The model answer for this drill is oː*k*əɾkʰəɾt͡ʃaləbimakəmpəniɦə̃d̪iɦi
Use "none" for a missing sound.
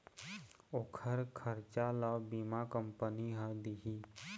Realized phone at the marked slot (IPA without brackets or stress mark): kʰ